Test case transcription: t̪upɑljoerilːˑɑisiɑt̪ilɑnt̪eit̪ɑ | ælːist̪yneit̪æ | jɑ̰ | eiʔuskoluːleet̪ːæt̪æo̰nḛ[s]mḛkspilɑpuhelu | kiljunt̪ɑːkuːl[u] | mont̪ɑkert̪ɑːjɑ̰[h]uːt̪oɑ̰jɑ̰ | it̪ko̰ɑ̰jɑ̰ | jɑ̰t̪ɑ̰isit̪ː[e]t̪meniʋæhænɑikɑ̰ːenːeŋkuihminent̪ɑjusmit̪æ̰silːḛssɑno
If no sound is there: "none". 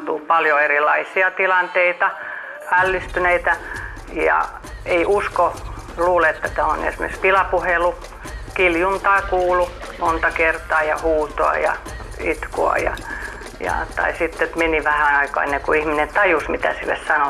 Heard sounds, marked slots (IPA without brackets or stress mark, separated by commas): s, u, h, e